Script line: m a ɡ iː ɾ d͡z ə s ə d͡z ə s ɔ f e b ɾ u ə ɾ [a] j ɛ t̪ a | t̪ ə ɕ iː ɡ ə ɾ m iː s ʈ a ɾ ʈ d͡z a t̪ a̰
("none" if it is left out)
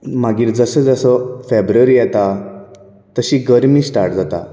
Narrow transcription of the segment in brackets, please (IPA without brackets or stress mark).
i